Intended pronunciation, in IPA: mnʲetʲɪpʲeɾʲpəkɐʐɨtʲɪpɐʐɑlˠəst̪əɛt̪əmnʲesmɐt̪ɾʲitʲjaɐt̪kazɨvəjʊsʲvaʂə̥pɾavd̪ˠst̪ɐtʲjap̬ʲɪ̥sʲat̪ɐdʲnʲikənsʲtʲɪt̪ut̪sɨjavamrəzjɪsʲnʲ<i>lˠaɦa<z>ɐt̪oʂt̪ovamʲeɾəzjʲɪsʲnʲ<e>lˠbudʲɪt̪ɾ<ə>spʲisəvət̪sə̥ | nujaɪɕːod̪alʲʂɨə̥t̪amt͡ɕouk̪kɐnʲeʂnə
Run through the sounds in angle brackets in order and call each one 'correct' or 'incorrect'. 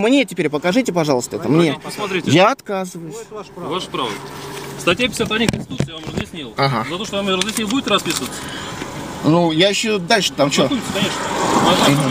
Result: correct, correct, incorrect, incorrect

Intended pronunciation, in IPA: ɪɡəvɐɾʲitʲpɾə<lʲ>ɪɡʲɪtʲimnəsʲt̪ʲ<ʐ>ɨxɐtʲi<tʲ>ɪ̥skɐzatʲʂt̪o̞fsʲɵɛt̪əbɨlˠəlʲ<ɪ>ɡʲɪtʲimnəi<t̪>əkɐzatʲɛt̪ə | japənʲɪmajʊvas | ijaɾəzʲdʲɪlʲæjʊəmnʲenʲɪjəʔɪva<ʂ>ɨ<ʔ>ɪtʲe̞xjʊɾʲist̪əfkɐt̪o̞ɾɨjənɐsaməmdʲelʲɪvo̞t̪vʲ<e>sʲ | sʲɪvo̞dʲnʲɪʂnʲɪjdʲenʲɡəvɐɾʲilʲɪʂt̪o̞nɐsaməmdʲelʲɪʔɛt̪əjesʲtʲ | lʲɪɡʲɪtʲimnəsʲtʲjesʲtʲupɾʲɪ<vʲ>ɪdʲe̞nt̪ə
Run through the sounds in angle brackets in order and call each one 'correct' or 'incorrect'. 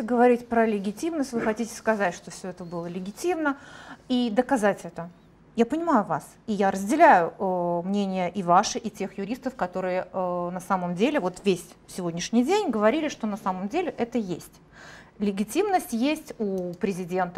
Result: correct, incorrect, correct, correct, incorrect, correct, correct, correct, incorrect

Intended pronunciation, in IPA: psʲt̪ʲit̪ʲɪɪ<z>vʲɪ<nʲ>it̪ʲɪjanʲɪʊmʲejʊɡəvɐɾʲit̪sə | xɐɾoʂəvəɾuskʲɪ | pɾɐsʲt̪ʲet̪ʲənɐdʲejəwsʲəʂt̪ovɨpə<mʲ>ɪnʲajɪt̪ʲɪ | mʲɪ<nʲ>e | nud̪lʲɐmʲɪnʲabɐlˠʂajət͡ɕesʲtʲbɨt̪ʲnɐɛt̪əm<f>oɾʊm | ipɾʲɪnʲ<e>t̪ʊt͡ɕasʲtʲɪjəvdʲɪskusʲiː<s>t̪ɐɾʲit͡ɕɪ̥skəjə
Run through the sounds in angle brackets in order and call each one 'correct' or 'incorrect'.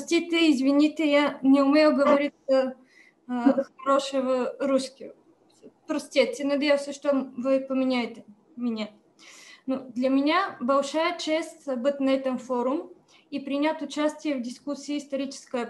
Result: correct, correct, correct, correct, correct, incorrect, correct

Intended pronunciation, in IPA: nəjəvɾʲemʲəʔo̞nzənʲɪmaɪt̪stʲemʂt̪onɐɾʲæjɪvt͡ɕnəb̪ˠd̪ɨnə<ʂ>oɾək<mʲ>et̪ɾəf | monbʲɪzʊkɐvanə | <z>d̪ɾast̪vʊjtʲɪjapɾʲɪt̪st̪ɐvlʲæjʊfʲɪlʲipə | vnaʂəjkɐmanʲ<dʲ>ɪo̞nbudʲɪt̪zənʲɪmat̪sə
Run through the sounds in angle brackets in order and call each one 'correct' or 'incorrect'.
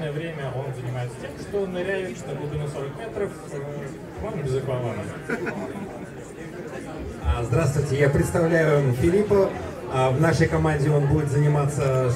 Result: incorrect, correct, correct, correct

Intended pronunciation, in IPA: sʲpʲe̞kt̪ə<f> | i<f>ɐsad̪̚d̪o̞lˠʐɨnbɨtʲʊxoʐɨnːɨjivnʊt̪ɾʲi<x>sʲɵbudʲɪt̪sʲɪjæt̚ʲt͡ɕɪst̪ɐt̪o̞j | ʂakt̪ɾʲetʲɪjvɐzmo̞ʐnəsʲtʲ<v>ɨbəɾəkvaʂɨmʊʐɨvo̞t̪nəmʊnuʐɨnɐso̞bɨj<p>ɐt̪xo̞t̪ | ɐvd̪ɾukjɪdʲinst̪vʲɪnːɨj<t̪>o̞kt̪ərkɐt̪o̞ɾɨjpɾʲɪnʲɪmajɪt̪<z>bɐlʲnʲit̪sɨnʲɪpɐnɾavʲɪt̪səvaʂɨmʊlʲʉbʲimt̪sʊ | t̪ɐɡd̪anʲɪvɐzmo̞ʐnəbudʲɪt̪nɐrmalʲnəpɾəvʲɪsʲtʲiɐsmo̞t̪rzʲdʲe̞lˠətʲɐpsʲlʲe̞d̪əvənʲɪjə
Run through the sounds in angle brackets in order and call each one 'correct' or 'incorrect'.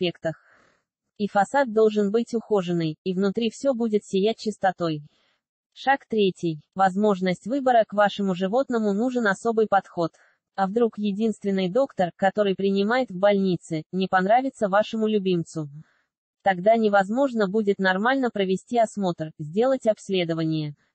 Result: incorrect, correct, incorrect, correct, correct, incorrect, incorrect

